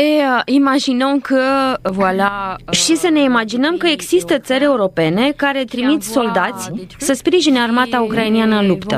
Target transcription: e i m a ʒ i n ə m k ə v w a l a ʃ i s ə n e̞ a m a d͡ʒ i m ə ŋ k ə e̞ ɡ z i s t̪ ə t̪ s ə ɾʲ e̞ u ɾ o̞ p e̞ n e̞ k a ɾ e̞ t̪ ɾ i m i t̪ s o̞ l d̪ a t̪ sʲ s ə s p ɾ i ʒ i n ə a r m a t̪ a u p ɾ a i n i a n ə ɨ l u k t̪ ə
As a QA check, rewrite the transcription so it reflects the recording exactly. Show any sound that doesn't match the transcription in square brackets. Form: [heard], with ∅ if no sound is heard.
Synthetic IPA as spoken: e i m a ʒ i n ə m k ə v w a l a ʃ i s ə n e̞ [i] m a d͡ʒ i [n] ə [m] k ə e̞ ɡ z i s t̪ ə t̪ s ə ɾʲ e̞ u ɾ o̞ p e̞ n e̞ k a ɾ e̞ t̪ ɾ i m i t̪ s o̞ l d̪ a t̪ sʲ s ə s p ɾ i ʒ i n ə a r m a t̪ a u [k] ɾ a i n i a n ə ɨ l u [p] t̪ ə